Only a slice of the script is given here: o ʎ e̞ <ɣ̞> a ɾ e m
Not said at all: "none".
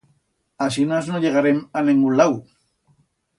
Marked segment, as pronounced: ɣ̞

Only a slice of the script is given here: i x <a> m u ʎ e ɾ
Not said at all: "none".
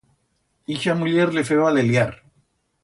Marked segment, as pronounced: a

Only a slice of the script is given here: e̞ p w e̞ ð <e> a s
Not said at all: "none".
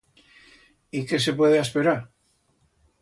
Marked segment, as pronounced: e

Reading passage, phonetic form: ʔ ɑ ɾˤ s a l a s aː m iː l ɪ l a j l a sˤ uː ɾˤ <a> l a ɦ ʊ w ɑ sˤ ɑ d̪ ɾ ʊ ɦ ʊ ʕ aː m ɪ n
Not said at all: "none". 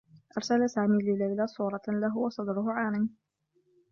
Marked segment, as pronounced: ɑ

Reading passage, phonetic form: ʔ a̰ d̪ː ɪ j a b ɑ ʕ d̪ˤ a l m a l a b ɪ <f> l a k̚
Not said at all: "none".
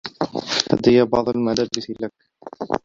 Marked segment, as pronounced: s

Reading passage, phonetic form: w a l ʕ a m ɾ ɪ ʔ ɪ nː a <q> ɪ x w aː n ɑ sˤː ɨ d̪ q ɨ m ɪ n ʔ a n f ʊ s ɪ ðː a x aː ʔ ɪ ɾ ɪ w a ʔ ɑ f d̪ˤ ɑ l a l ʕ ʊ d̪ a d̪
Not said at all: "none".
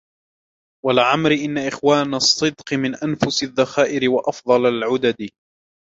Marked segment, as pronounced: ʔ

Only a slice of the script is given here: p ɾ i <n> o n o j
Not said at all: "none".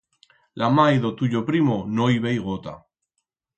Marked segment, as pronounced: m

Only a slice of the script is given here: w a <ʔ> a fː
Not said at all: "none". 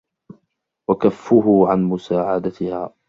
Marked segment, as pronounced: k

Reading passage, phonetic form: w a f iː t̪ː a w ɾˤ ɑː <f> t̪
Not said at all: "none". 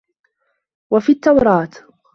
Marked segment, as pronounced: none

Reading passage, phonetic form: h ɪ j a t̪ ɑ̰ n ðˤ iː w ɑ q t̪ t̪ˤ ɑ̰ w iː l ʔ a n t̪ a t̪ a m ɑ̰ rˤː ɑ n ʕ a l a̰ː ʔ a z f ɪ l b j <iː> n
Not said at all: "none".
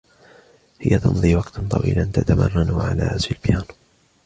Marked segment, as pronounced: aː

